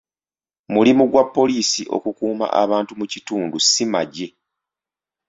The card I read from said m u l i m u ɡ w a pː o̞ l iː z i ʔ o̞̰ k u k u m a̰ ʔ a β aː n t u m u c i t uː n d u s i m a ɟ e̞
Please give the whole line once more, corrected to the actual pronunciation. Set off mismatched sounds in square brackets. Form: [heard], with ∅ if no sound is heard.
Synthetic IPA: m u l i m u ɡ w a pː o̞ l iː [s] i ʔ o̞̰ k u k [uː] m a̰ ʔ a β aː n t u m u c i t uː n d u s i m a ɟ e̞